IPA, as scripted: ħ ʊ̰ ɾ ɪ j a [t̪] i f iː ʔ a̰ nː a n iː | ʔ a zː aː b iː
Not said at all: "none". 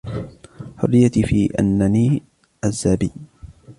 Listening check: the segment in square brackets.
t̪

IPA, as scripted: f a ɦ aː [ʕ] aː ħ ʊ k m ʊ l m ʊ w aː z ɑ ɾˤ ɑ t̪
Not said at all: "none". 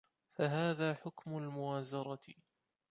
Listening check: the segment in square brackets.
ð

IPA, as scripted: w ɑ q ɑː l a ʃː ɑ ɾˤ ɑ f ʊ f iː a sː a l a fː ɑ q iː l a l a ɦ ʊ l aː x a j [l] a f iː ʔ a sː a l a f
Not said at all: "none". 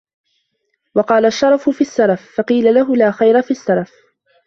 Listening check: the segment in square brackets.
ɾ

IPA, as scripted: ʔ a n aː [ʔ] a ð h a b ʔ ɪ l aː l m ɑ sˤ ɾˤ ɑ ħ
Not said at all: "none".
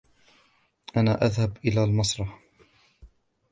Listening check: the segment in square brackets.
ʔ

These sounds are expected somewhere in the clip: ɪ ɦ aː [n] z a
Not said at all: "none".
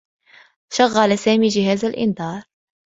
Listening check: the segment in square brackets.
none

